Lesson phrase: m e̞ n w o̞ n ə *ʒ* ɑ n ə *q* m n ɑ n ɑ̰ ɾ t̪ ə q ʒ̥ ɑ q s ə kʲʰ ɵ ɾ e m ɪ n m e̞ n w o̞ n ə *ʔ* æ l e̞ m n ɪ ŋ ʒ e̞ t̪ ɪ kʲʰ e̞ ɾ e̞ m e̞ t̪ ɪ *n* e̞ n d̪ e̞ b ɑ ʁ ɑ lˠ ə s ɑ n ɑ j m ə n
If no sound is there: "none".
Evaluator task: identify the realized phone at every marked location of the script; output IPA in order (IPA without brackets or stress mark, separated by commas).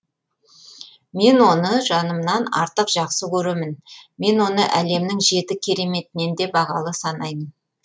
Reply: ʒ, none, ʔ, n